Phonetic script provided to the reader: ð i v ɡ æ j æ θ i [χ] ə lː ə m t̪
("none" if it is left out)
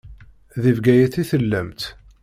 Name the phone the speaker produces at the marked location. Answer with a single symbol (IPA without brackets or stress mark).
θ